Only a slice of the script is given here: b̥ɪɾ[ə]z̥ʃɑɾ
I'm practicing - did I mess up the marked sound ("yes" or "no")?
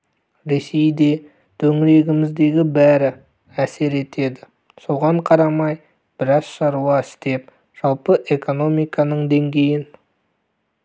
yes